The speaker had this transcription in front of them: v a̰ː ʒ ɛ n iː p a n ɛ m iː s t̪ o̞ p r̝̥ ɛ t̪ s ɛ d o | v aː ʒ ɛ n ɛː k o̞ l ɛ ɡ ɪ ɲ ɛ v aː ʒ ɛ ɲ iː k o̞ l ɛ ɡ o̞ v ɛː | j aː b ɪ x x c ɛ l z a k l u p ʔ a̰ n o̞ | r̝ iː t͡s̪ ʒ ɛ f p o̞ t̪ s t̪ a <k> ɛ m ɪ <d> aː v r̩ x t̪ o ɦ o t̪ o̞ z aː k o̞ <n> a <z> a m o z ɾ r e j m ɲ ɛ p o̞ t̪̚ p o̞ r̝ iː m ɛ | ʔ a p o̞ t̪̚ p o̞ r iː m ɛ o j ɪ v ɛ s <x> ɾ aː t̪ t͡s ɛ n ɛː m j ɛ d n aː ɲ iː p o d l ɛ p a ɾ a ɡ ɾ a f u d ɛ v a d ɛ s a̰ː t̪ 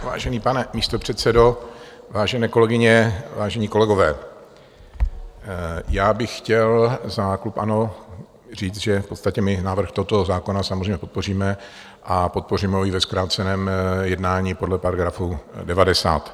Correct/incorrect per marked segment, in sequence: incorrect, incorrect, correct, incorrect, incorrect

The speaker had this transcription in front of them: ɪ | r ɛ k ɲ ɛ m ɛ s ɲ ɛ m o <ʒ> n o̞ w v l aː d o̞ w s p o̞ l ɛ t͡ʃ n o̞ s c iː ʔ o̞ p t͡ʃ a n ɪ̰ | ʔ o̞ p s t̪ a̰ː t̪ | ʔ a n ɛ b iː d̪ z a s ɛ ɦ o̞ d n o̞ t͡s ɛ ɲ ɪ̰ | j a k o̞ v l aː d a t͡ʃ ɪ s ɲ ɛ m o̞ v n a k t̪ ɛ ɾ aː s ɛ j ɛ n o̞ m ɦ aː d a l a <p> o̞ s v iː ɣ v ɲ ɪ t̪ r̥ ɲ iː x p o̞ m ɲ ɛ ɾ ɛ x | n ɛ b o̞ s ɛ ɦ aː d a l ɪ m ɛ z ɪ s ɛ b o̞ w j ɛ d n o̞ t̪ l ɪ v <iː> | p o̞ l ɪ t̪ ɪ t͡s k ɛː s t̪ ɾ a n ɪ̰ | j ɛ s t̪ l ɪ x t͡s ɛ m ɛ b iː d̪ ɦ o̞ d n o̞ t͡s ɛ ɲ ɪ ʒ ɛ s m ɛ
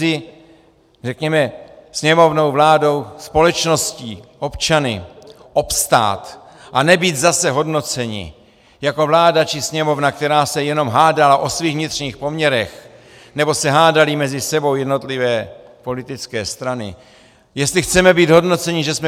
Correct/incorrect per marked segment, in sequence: incorrect, incorrect, incorrect

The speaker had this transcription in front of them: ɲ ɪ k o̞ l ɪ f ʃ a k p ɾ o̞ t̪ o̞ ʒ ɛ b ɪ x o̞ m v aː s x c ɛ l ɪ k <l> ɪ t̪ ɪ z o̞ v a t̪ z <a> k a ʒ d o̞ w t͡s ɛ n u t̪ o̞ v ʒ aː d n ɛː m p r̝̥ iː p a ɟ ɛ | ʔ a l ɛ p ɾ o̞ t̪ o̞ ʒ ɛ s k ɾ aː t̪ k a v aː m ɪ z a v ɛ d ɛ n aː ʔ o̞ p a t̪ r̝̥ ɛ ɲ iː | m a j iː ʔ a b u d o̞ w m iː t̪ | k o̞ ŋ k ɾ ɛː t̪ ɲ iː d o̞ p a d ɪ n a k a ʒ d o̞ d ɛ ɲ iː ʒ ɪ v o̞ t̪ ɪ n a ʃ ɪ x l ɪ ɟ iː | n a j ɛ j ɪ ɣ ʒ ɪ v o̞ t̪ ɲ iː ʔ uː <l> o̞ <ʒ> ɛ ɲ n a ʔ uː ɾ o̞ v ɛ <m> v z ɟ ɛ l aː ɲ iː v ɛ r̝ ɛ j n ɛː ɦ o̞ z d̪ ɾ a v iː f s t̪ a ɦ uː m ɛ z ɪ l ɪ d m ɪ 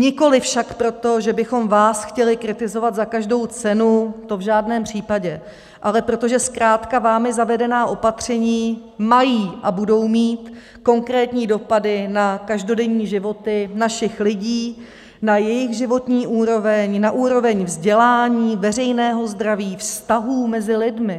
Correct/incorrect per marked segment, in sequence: incorrect, correct, incorrect, incorrect, incorrect

